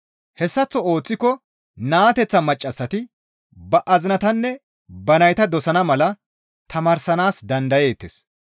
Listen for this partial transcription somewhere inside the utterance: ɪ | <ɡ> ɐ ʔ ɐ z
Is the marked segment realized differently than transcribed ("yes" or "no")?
yes